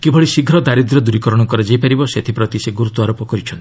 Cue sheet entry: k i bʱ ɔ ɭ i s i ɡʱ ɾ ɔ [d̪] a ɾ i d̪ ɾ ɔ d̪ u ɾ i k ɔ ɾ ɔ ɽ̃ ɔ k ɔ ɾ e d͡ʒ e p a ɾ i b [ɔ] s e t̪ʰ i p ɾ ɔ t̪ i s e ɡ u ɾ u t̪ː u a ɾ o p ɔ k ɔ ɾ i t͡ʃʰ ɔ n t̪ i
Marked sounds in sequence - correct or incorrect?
correct, correct

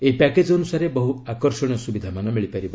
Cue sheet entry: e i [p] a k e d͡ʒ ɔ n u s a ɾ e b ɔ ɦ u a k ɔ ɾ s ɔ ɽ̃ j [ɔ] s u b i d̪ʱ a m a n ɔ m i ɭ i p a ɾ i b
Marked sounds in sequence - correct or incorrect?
correct, correct

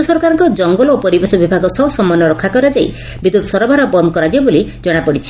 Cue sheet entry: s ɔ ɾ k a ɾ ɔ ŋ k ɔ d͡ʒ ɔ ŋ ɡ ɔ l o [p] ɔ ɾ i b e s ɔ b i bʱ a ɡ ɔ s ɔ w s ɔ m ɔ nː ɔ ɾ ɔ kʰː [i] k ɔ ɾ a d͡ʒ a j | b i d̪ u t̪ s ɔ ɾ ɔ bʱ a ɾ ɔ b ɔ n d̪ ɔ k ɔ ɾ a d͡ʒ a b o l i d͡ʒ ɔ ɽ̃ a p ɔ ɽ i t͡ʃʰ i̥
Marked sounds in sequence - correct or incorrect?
correct, incorrect

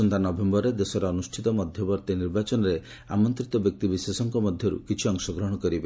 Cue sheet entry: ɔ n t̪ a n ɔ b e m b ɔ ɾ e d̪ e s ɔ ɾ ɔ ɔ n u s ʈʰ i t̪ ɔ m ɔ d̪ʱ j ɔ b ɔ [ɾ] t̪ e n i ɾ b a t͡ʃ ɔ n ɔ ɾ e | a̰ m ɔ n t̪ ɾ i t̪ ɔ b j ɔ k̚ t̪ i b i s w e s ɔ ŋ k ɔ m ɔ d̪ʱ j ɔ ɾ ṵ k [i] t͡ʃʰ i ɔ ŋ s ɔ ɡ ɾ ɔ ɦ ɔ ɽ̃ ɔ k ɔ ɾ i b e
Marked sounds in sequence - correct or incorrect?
correct, correct

